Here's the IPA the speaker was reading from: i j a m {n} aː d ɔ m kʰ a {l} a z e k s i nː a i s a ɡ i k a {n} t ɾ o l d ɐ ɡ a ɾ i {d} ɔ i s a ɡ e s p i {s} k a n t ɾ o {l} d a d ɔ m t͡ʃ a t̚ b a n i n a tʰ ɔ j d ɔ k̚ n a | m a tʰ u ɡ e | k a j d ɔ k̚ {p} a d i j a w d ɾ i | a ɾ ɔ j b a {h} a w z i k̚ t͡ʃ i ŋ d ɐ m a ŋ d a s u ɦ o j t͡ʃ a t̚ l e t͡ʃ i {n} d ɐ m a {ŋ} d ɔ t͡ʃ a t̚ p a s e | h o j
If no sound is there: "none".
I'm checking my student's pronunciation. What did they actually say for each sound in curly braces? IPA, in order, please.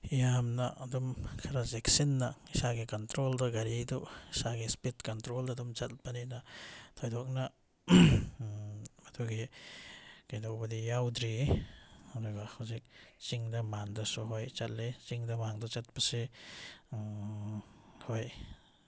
n, ɾ, n, d, t, l, b, h, ŋ, ŋ

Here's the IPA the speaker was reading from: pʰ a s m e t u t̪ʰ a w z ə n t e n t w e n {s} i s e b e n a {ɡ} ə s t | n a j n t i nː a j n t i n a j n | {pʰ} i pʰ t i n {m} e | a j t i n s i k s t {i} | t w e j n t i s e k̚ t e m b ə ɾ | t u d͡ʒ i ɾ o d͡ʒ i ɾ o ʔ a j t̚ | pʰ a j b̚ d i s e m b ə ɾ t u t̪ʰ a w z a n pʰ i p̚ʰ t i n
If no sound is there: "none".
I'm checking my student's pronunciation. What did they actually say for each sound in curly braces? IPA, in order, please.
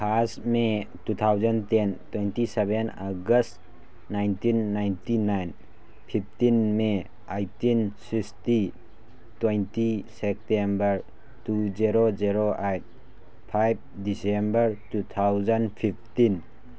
t, ɡ, pʰ, m, i

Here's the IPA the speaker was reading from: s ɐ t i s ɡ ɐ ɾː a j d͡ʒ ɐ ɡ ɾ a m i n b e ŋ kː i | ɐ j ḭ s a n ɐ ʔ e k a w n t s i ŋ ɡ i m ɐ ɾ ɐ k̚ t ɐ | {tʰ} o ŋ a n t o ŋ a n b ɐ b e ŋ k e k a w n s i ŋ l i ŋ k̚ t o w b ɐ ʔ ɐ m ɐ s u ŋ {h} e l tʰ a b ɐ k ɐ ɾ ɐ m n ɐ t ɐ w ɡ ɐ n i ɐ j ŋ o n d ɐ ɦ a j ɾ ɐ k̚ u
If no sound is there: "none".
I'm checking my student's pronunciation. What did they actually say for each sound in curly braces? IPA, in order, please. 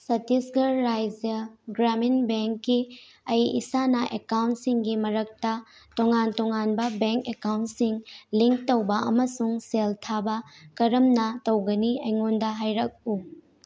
t, s

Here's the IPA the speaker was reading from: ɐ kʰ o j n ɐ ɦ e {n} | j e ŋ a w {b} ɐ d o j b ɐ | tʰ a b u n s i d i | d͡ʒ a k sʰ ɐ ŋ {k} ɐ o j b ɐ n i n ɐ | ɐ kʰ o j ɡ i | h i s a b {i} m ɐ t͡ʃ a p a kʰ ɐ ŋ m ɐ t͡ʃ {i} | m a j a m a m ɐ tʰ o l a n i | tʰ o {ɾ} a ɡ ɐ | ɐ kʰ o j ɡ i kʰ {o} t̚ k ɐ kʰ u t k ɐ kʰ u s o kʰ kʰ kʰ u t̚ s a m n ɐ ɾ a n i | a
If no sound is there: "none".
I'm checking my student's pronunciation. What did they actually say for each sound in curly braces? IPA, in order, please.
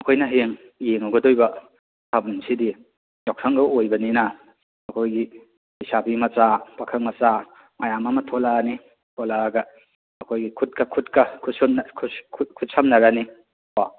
ŋ, ɡ, ɡ, i, a, l, u

